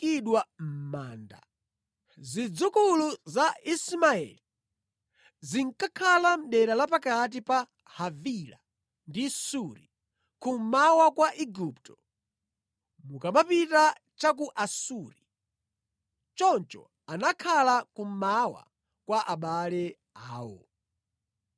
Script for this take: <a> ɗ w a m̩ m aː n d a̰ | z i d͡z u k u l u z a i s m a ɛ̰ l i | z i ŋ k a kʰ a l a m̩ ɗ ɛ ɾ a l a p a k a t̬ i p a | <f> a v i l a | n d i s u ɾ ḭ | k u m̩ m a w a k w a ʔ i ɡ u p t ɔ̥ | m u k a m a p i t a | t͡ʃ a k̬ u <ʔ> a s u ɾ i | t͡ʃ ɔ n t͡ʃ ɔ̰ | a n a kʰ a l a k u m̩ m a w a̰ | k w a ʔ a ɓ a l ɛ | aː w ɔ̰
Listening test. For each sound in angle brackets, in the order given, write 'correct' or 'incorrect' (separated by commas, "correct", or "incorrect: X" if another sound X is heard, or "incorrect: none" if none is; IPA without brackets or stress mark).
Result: incorrect: i, incorrect: h, correct